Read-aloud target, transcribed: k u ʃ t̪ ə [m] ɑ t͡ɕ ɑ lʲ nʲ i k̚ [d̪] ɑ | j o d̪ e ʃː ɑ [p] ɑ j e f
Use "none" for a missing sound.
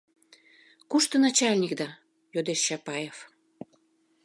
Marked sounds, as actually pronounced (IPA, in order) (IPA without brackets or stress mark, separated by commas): n, d̪, p